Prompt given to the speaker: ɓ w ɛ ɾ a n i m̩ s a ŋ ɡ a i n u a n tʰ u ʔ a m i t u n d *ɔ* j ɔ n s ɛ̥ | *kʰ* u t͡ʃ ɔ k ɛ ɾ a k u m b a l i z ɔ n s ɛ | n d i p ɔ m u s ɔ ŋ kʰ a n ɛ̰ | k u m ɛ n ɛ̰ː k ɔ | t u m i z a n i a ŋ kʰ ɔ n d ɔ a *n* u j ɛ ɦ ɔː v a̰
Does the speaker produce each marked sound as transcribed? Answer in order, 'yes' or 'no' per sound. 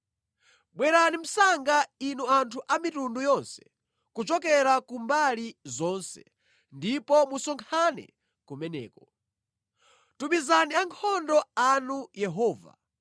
no, no, yes

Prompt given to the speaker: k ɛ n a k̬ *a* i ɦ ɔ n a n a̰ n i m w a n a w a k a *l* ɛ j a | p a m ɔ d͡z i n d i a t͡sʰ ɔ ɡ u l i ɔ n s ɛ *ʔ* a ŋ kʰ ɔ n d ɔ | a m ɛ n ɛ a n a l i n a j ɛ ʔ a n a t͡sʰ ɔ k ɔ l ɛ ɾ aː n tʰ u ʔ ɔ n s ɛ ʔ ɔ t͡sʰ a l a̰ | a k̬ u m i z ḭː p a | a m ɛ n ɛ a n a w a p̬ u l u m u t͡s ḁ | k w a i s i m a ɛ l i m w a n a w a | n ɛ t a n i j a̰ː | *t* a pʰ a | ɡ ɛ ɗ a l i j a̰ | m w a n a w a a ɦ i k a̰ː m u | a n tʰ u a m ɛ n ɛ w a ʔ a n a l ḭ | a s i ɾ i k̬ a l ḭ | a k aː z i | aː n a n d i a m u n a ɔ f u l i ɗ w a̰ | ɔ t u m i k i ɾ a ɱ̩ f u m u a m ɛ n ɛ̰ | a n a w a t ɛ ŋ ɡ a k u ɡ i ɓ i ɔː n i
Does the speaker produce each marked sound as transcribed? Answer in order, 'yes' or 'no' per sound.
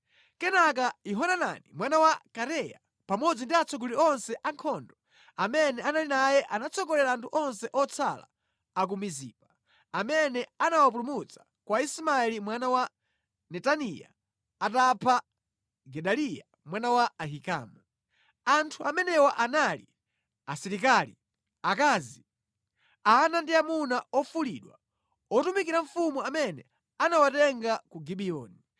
yes, no, yes, yes

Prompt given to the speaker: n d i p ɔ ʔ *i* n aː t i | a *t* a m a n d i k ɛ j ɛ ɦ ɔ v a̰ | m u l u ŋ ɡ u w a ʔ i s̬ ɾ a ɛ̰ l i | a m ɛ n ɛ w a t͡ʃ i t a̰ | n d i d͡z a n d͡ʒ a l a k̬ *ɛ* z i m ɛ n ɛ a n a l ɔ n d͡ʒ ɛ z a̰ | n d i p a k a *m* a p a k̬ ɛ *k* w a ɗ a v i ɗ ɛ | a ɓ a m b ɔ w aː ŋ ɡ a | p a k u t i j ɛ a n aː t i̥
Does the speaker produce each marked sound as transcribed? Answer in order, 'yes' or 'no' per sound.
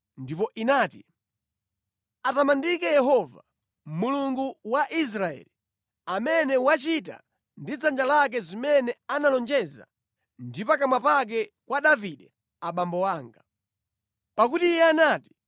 yes, yes, yes, yes, yes

